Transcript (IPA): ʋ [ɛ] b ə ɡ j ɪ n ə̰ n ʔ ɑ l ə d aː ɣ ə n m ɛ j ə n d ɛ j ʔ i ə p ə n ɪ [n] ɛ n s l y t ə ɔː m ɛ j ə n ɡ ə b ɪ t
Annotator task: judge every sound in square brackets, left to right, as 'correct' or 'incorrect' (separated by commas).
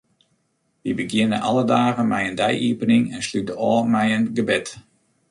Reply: incorrect, incorrect